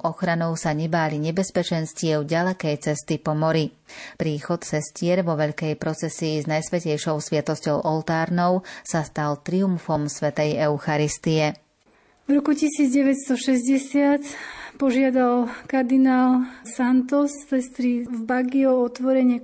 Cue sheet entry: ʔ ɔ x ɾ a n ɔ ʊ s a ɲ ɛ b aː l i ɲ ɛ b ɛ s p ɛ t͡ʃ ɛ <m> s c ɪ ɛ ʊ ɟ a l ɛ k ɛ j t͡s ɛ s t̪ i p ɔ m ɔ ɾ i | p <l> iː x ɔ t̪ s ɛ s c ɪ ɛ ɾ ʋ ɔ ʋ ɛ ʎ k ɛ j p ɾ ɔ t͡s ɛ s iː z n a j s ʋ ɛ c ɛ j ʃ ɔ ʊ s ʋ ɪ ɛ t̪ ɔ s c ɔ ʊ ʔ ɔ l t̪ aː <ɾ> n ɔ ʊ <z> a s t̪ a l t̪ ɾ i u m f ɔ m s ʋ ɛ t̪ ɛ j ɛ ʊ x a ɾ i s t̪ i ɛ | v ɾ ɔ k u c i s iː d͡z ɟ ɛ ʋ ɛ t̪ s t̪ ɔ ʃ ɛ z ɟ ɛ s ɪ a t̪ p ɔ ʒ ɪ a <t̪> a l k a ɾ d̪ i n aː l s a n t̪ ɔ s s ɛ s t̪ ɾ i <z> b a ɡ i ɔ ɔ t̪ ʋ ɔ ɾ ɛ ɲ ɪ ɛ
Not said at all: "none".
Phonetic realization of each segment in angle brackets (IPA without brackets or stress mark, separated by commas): n, ɾ, ɾ, s, d̪, v